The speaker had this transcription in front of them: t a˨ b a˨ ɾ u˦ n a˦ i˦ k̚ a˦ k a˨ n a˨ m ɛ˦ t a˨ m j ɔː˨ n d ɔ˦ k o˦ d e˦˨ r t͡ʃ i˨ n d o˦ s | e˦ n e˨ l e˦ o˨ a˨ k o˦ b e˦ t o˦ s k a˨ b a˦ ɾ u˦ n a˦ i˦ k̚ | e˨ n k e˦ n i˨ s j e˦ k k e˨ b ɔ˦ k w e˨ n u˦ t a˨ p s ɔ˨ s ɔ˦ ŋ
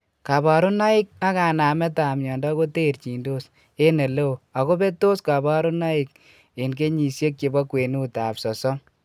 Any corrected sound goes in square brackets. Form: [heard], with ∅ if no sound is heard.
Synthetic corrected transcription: [k] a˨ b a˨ ɾ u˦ n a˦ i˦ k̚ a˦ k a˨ n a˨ m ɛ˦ t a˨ m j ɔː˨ n d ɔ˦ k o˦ [t] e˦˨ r t͡ʃ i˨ n d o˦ s | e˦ n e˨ l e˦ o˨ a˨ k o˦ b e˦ t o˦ s k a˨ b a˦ ɾ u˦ n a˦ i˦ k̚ | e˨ n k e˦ [ɲ] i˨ s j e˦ k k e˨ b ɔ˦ k w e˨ n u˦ t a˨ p s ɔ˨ s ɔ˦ ŋ